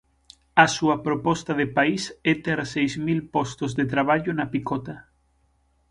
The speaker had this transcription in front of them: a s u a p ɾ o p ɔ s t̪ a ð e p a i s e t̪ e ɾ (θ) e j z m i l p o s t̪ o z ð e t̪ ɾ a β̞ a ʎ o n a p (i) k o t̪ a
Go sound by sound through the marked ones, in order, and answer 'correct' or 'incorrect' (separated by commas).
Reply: incorrect, correct